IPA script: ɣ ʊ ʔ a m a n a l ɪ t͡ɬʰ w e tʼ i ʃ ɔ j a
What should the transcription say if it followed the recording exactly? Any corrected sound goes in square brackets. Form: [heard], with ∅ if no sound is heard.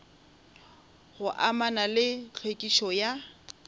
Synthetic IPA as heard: ɣ ʊ ʔ a m a n a l ɪ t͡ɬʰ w e [kʼ] i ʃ ɔ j a